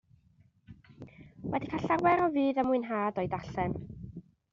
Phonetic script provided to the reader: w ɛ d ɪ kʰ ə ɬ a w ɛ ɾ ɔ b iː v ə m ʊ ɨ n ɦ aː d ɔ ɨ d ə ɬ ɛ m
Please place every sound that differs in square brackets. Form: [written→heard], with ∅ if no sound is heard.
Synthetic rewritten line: w ɛ d [ɪ→i] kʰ [ə→a] ɬ a w ɛ ɾ ɔ [b→v] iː [v→ð] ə m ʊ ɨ n ɦ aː d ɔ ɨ d [ə→a] ɬ ɛ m